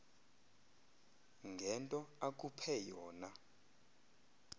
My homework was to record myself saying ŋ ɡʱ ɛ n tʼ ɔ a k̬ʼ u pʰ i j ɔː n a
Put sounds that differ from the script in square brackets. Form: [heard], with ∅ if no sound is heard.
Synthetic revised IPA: ŋ ɡʱ ɛ n tʼ ɔ a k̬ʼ u pʰ [ɛ] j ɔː n a